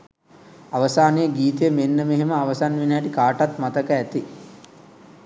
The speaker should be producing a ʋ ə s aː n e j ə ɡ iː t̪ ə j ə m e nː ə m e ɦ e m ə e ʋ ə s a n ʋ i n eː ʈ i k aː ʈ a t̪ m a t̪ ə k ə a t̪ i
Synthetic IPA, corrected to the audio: a ʋ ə s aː n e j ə ɡ iː t̪ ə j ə m e nː ə m e ɦ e m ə a ʋ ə s a n ʋ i n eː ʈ i k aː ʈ a t̪ m a t̪ ə k ə æ t̪ i